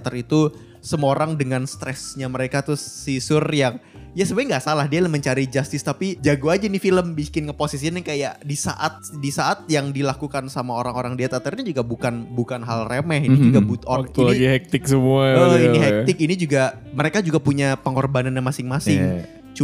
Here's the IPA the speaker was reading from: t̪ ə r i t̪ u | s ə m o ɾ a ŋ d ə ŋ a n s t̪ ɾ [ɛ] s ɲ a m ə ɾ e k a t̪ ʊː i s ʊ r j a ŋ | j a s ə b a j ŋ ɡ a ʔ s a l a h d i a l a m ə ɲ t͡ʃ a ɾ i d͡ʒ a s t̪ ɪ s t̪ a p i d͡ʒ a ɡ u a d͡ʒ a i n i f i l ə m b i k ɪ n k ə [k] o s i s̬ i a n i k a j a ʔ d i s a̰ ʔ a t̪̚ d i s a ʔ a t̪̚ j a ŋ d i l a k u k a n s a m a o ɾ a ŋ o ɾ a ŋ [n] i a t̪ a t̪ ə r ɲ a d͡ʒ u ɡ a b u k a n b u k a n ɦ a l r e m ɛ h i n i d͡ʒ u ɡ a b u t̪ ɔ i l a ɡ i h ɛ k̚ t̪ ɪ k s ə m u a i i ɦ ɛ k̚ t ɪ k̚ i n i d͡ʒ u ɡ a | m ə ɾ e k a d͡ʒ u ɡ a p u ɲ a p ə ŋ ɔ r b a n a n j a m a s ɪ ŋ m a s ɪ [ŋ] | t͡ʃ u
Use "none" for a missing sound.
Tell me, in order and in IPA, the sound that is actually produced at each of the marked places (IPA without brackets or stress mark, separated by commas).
ɛ, p, d, ŋ